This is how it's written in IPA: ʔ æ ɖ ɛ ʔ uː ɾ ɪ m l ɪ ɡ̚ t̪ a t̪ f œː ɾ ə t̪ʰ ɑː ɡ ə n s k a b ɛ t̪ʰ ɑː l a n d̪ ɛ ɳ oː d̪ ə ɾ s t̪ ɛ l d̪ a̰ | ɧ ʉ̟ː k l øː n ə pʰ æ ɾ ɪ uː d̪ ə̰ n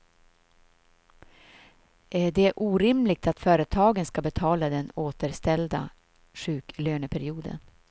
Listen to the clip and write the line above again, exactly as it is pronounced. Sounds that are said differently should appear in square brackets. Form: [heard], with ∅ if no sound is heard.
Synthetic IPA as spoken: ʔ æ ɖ ɛ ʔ uː ɾ ɪ m l ɪ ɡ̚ t̪ a t̪ f œː ɾ ə t̪ʰ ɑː ɡ ə n s k a b ɛ t̪ʰ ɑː l a [∅] d̪ ɛ [n] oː [t̪] ə ɾ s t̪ ɛ l d̪ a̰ | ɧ ʉ̟ː k l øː n ə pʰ æ ɾ ɪ uː d̪ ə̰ n